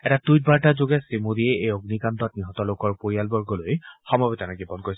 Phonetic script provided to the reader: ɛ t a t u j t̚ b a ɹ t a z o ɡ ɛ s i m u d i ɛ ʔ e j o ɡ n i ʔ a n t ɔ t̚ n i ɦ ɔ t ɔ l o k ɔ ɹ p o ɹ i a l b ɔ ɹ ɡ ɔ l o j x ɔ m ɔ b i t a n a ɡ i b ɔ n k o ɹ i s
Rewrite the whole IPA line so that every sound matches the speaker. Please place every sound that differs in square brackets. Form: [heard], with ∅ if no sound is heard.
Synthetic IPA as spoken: ɛ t a t u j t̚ b a ɹ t a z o ɡ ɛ s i m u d i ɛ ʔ e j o ɡ n i [k] a n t ɔ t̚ n i ɦ ɔ t ɔ l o k ɔ ɹ p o ɹ i a l b ɔ ɹ ɡ ɔ l o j x ɔ m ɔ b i t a n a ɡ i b ɔ n k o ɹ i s